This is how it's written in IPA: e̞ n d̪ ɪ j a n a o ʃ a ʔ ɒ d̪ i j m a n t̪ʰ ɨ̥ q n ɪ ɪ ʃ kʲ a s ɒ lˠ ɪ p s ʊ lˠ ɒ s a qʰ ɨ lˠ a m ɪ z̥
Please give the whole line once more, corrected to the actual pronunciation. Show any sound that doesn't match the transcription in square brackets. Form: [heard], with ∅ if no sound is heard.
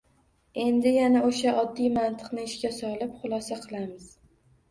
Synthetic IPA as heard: e̞ n d̪ ɪ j a n a o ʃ a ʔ ɒ [d̪ː] i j m a n t̪ʰ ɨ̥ q n ɪ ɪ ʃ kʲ a s ɒ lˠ ɪ p [χ] ʊ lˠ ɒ s a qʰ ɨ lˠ a m ɪ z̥